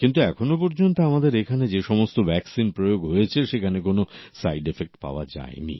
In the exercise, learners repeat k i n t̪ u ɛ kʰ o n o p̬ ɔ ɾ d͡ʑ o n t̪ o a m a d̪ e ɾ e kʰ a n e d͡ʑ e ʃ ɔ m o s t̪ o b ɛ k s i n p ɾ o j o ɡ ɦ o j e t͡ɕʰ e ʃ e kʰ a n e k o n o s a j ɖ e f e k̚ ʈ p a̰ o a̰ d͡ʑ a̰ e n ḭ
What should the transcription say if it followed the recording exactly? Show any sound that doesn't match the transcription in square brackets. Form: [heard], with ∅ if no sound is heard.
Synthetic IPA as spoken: k i n t̪ u ɛ kʰ o n o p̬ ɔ ɾ d͡ʑ o n t̪ o a m a d̪ e ɾ e kʰ a n e d͡ʑ e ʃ ɔ m o s t̪ o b ɛ k s i n p ɾ o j o ɡ ɦ o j e t͡ɕʰ e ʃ e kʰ a n e k o n o s a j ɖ e f e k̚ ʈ p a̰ o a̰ d͡ʑ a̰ e n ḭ